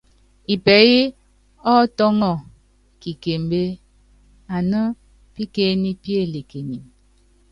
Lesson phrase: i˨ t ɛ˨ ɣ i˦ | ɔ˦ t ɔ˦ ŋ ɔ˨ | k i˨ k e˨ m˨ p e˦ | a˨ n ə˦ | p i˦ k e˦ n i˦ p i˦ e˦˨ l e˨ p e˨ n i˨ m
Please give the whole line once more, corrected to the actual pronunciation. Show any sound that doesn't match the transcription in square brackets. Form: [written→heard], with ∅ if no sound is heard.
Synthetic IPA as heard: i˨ [t→p] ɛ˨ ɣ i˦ | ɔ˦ t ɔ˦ ŋ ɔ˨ | k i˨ k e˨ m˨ [p→b] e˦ | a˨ n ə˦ | p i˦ k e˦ n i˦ p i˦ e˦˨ l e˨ [p→k] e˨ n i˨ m